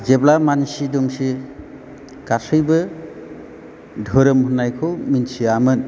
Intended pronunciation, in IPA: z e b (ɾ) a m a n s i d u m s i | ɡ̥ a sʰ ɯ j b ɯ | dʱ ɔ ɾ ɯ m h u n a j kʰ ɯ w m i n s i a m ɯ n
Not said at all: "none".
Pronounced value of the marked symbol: l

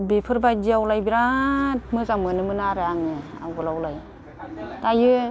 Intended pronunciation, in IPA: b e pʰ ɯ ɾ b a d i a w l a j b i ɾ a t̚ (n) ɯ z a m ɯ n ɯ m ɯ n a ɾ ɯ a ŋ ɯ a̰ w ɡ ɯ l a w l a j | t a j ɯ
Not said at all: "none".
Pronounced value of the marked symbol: m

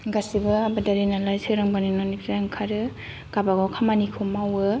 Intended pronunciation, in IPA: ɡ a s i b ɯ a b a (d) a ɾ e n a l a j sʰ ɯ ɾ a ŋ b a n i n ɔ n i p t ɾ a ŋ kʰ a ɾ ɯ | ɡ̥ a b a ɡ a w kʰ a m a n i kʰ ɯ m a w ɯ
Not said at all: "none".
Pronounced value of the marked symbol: d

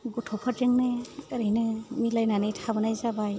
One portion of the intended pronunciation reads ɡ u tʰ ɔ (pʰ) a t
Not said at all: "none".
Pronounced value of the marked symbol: pʰ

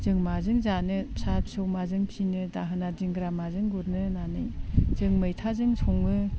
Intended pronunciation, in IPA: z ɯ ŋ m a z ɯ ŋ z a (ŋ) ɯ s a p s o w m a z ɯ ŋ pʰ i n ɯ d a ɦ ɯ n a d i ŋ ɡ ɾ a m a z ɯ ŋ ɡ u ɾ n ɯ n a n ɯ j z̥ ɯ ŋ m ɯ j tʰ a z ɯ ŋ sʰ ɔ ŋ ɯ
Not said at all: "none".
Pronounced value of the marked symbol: n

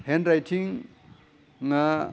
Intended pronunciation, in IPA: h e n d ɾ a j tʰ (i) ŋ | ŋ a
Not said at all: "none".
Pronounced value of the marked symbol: i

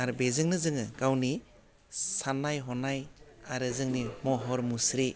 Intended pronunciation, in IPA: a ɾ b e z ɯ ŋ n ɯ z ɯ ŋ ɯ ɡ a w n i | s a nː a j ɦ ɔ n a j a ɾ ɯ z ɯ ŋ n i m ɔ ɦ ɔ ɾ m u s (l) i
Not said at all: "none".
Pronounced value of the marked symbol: ɾ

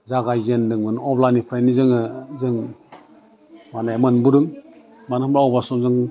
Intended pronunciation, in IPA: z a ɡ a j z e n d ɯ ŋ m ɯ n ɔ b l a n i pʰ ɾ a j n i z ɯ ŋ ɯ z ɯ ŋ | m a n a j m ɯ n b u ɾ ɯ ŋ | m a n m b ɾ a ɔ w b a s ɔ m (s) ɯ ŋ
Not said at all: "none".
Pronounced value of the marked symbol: z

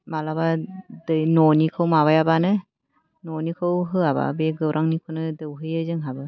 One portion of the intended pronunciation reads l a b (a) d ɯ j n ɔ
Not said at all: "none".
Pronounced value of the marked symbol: a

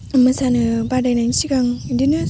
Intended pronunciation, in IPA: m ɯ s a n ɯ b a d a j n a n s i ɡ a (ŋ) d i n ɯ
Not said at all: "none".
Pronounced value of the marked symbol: ŋ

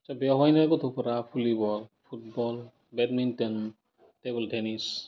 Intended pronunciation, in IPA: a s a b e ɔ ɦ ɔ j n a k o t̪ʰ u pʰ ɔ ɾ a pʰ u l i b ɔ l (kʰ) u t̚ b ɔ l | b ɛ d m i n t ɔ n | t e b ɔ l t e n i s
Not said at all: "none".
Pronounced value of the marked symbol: pʰ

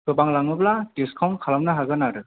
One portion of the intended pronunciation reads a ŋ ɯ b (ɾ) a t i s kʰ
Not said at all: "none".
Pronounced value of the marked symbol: l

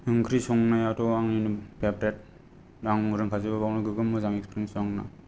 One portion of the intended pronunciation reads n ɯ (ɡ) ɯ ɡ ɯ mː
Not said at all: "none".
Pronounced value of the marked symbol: ɡ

